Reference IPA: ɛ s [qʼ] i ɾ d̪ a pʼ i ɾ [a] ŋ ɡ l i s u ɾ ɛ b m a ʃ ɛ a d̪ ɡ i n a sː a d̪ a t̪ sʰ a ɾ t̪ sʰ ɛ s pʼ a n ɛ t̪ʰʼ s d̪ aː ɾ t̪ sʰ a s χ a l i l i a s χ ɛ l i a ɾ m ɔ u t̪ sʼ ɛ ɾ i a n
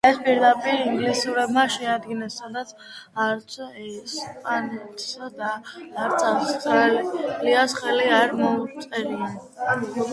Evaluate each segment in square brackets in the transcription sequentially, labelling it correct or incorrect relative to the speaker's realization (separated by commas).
incorrect, incorrect